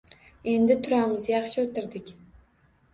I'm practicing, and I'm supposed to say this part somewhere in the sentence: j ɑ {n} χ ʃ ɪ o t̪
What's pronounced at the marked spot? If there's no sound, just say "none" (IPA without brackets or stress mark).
none